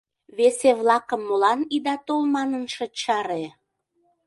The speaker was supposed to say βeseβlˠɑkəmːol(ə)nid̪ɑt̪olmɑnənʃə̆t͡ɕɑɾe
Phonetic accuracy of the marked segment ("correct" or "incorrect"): incorrect